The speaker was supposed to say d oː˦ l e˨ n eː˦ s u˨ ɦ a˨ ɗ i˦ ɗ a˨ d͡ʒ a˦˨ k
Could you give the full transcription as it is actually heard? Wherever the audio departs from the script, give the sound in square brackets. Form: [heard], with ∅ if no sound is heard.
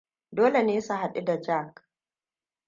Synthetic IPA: d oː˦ l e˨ n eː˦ s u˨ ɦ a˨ ɗ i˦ [d] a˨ d͡ʒ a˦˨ k